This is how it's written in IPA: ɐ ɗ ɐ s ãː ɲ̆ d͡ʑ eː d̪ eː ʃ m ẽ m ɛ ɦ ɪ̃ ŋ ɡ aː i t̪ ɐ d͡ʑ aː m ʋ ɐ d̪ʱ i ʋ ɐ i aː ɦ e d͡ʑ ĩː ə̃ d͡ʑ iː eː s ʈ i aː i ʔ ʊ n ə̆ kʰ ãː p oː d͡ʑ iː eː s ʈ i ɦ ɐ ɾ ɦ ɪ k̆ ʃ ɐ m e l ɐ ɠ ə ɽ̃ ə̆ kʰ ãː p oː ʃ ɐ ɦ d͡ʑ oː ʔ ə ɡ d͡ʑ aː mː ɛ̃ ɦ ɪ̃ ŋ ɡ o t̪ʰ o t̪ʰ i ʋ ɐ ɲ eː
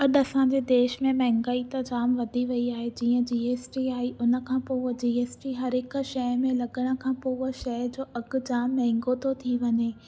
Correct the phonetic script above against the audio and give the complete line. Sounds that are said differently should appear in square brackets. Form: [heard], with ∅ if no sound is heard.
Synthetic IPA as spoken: ɐ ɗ ɐ s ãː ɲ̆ d͡ʑ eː d̪ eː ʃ m ẽ m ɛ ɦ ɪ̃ ŋ ɡ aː i t̪ ɐ d͡ʑ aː m ʋ ɐ d̪ʱ i ʋ ɐ i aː ɦ e d͡ʑ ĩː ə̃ d͡ʑ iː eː s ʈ i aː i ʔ ʊ n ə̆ kʰ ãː p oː d͡ʑ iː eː s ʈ i ɦ ɐ ɾ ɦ ɪ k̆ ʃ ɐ m [ẽ] l ɐ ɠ ə ɽ̃ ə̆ kʰ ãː p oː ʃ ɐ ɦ d͡ʑ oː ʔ [ɐ] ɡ d͡ʑ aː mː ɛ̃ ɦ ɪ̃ ŋ ɡ o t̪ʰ o t̪ʰ i ʋ ɐ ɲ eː